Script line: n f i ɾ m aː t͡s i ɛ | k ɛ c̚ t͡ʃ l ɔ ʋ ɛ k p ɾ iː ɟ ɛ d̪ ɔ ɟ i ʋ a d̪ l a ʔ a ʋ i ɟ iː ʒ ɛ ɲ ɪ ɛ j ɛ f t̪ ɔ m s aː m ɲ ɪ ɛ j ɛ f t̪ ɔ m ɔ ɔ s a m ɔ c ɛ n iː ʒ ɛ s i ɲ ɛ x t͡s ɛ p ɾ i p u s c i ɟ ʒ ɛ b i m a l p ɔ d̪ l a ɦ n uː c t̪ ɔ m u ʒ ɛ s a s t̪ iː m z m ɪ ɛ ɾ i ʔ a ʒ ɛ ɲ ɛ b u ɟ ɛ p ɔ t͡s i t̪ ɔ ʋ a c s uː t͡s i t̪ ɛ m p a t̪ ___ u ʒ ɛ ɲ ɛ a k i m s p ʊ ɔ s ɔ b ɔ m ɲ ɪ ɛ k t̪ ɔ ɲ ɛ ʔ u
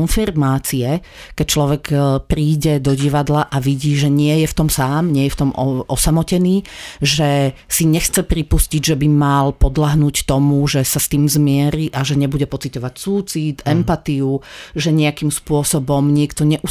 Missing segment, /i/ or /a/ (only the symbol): i